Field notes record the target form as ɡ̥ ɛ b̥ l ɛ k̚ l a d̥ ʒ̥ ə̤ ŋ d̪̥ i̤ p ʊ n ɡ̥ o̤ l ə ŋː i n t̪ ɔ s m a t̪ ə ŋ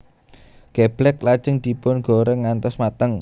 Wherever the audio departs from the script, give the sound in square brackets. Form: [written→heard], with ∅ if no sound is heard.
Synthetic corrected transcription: ɡ̥ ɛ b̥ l ɛ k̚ l a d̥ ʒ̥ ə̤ ŋ d̪̥ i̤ p ʊ n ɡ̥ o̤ [l→ɾ] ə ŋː [i→a] n t̪ ɔ s m a t̪ ə ŋ